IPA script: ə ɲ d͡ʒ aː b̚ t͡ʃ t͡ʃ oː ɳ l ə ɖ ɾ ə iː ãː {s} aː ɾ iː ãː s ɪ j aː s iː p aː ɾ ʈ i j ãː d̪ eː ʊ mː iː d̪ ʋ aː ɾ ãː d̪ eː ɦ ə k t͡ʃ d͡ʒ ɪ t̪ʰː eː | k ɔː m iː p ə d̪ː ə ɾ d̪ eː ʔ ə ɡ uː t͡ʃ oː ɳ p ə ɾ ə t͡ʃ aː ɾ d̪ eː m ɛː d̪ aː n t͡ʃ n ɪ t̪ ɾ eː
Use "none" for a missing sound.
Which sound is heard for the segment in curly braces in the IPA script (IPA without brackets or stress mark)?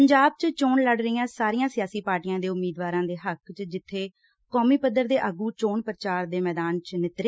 s